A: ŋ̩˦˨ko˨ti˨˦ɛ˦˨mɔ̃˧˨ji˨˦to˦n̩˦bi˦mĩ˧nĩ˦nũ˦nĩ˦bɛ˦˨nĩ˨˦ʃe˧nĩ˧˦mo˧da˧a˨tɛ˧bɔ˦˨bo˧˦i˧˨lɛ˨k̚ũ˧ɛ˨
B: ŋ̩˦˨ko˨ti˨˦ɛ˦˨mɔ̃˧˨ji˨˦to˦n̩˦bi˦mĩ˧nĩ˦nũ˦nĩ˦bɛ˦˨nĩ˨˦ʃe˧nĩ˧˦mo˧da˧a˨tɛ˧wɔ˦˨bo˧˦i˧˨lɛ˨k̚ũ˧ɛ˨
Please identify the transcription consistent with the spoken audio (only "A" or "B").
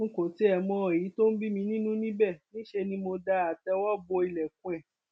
B